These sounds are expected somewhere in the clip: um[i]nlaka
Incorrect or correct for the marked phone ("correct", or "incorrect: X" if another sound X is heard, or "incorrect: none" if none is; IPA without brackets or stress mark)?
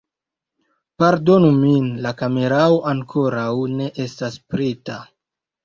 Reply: correct